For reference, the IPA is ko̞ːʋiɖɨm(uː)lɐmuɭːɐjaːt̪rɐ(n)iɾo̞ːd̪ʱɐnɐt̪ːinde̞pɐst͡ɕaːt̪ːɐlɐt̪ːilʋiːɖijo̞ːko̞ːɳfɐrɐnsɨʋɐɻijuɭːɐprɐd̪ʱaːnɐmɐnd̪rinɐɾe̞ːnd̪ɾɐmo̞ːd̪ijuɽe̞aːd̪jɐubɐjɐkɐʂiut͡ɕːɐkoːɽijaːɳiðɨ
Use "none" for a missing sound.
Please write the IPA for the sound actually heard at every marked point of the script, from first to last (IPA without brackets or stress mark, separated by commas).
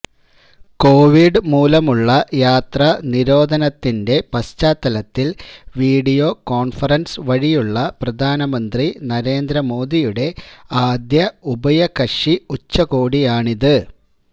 uː, n